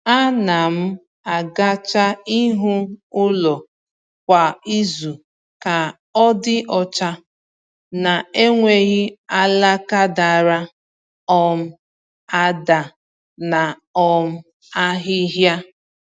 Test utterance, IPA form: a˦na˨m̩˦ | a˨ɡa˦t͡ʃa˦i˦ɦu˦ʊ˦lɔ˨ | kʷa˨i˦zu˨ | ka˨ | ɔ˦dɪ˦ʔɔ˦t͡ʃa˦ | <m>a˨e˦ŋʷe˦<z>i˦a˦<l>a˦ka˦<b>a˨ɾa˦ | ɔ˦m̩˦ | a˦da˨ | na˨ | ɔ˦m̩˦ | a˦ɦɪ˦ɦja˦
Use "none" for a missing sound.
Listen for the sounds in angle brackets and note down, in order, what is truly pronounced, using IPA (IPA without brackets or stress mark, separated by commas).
n, ɣ, l, d